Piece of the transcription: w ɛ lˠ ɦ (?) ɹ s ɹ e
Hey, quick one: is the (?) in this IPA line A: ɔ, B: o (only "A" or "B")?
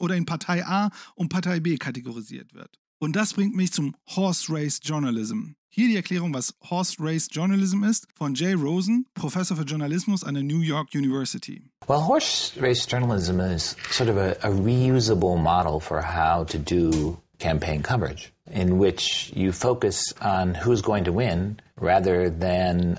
A